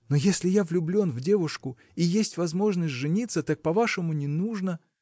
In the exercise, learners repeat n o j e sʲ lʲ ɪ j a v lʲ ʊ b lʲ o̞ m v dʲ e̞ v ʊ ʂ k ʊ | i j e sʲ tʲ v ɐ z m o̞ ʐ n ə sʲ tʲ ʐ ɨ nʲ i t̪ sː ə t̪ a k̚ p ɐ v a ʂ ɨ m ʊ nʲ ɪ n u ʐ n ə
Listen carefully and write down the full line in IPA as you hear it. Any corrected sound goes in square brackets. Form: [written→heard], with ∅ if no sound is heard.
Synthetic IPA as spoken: n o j e sʲ lʲ ɪ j a v lʲ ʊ b lʲ o̞ [m→n] v dʲ e̞ v ʊ ʂ k ʊ | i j e sʲ tʲ v ɐ z m o̞ ʐ n ə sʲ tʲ ʐ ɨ nʲ i t̪ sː ə t̪ a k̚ p ɐ v a ʂ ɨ m ʊ nʲ ɪ n u ʐ n ə